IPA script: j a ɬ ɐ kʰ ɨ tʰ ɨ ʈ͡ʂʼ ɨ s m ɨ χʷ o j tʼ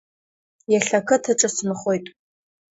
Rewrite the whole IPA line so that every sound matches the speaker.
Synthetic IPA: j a ɬ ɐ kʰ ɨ tʰ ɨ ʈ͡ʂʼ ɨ s m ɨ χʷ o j tʼ